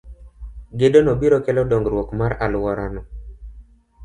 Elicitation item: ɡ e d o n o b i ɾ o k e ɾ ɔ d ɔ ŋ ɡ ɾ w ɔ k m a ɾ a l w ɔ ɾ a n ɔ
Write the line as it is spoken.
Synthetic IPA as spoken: ɡ e d o n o b i ɾ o k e l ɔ d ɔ ŋ ɡ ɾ w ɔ k m a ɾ a l w ɔ ɾ a n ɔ

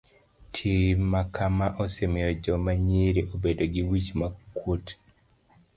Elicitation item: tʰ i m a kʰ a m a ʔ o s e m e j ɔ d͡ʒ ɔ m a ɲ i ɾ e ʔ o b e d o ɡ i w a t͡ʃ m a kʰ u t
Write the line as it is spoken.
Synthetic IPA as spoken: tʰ i m a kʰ a m a ʔ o s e m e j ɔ d͡ʒ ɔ m a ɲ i ɾ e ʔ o b e d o ɡ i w i t͡ʃ m a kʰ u t

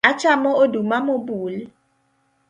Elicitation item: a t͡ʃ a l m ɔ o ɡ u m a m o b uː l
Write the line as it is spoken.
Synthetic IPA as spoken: a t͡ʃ a m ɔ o d u m a m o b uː l

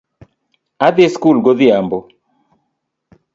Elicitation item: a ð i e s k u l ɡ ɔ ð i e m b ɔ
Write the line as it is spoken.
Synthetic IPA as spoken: a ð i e s k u l ɡ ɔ ð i a m b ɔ

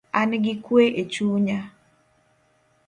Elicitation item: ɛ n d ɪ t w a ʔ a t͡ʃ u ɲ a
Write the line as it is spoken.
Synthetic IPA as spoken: a n ɡ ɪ k w e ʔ e t͡ʃ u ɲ a

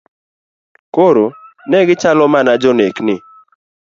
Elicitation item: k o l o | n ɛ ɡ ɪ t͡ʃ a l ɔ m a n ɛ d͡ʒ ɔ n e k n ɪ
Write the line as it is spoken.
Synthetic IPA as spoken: k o ɾ o | n ɛ ɡ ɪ t͡ʃ a l ɔ m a n a d͡ʒ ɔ n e k n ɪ

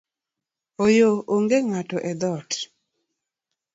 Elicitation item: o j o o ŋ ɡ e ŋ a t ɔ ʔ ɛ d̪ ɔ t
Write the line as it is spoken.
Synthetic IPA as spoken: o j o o ŋ ɡ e ŋ a t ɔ ʔ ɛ d̪ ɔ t

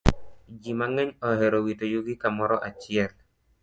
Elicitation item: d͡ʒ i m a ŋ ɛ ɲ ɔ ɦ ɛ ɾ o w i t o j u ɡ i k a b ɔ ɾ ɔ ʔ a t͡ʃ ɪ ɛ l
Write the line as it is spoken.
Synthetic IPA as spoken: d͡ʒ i m a ŋ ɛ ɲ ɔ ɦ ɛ ɾ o w i t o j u ɡ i k a m ɔ ɾ ɔ ʔ a t͡ʃ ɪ ɛ l

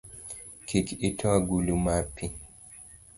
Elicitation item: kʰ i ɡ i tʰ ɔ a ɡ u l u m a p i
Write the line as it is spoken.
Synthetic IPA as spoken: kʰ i k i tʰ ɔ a ɡ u l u m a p i

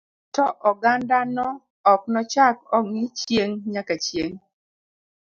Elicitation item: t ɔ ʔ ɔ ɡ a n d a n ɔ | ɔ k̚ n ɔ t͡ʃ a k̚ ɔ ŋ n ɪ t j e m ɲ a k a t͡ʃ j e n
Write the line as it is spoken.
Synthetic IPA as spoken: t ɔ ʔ ɔ ɡ a n d a n ɔ | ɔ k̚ n ɔ t͡ʃ a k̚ ɔ ŋ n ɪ t͡ʃ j e ŋ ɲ a k a t͡ʃ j e ŋ

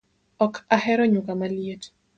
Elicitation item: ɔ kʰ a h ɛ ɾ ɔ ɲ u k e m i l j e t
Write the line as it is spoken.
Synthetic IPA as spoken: ɔ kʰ a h ɛ ɾ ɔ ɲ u k a m a l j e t

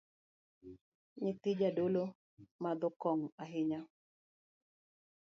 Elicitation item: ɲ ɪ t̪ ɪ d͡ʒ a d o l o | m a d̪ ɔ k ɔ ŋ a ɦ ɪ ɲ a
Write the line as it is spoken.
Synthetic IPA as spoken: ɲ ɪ t̪ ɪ d͡ʒ a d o l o | m a d̪ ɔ k ɔ ŋ a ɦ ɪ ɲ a

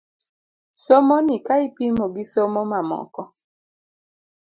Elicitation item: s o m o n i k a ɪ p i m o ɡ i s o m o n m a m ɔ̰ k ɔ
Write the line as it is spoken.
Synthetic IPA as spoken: s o m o n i k a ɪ p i m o ɡ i s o m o m a m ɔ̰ k ɔ

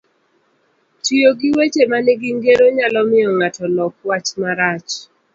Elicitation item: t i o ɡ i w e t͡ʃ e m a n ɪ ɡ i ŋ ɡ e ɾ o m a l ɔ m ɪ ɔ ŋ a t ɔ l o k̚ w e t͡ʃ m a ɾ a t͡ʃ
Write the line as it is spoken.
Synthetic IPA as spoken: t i o ɡ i w e t͡ʃ e m a n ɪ ɡ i ŋ ɡ e ɾ o ɲ a l ɔ m ɪ ɔ ŋ a t ɔ l ɔ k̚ w a t͡ʃ m a ɾ a t͡ʃ

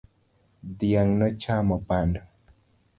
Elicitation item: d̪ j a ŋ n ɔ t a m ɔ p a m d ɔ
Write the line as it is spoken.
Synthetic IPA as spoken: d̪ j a ŋ n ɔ t͡ʃ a m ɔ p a n d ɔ

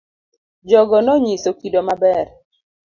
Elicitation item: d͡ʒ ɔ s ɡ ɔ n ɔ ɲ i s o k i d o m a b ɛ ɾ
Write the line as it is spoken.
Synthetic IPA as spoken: d͡ʒ ɔ ɡ ɔ n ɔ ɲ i s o k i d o m a b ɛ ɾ

